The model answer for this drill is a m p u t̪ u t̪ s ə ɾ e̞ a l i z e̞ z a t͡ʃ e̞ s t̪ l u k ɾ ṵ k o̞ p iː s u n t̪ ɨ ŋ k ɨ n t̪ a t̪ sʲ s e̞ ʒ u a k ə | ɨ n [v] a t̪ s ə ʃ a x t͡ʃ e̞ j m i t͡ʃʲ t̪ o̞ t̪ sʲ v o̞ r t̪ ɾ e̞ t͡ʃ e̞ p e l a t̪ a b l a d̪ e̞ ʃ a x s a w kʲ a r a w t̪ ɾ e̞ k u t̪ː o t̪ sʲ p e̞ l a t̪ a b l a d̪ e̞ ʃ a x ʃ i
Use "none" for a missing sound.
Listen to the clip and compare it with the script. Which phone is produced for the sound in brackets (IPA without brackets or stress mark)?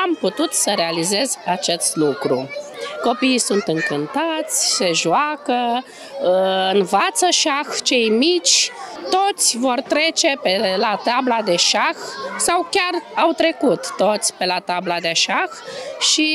v